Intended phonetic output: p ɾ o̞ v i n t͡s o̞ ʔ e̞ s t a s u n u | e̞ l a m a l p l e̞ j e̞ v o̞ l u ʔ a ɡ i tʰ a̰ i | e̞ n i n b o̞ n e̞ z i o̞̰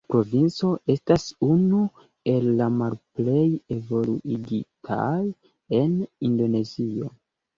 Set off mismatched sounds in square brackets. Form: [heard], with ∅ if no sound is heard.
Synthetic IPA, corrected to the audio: p ɾ o̞ v i n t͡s o̞ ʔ e̞ s t a s u n u | e̞ [lː] a m a l p l e̞ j e̞ v o̞ l u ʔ [i] ɡ i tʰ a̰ [j] | e̞ n i n [d] o̞ n e̞ z i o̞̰